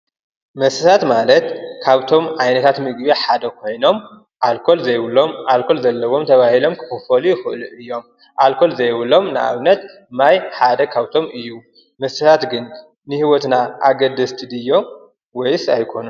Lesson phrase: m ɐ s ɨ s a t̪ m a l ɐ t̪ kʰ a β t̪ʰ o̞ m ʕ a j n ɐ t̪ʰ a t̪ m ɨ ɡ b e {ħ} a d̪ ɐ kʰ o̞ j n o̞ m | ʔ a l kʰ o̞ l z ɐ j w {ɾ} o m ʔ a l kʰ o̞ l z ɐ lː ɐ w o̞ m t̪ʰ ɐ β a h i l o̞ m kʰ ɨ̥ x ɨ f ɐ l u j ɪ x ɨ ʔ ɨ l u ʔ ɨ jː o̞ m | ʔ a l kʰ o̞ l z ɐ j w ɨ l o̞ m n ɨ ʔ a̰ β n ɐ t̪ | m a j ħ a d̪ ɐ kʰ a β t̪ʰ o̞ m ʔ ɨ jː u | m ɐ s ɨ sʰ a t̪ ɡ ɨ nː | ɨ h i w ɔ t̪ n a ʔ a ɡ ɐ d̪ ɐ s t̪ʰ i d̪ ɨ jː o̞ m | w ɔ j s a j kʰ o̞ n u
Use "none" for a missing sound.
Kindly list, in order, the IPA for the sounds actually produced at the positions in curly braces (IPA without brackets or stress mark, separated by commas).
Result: ħ, l